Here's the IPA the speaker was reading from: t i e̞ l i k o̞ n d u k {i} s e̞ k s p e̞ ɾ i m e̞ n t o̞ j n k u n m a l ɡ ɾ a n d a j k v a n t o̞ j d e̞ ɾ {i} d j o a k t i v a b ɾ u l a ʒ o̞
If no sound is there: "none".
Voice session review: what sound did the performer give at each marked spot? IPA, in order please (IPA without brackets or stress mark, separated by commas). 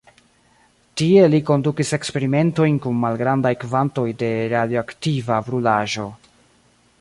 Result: i, a